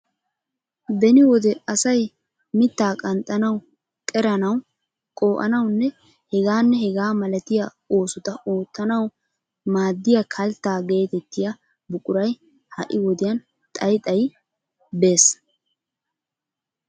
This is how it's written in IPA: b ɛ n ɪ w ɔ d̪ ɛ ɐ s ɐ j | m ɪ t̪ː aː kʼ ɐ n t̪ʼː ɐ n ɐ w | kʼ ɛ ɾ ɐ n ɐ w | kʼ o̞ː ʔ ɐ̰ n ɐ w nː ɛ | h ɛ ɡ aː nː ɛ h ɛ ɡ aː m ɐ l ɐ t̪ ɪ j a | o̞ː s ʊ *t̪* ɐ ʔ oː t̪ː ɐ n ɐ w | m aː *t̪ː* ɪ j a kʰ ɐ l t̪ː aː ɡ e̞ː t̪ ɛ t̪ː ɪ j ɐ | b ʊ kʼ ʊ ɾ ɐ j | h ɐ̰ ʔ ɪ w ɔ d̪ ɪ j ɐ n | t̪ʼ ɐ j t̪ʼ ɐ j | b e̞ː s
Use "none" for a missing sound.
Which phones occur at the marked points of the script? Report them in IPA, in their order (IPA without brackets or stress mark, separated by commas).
t̪, d̪ː